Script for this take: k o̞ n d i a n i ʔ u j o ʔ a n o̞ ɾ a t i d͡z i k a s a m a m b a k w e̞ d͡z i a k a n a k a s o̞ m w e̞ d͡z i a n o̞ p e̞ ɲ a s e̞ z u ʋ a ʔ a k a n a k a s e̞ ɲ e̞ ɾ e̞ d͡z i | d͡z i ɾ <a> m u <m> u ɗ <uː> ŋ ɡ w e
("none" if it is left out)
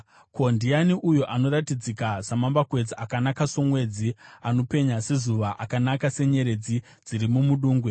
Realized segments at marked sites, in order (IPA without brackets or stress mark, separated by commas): i, m, uː